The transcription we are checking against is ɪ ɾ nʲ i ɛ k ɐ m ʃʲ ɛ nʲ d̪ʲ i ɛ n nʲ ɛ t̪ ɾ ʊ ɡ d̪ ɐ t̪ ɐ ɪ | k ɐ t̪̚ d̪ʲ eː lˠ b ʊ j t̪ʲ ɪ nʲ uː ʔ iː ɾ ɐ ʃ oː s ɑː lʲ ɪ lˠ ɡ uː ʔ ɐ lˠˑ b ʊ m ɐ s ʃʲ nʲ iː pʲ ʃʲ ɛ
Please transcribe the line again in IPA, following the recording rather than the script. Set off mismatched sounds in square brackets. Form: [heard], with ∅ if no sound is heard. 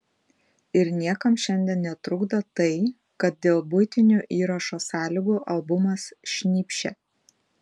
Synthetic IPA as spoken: ɪ ɾ nʲ i ɛ k ɐ m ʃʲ ɛ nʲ d̪ʲ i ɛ n nʲ ɛ t̪ ɾ ʊ ɡ d̪ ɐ t̪ ɐ ɪ | k ɐ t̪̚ d̪ʲ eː lˠ b ʊ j t̪ʲ ɪ nʲ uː ʔ iː ɾ ɐ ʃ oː s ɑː lʲ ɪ [∅] ɡ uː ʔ ɐ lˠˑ b ʊ m ɐ s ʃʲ nʲ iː pʲ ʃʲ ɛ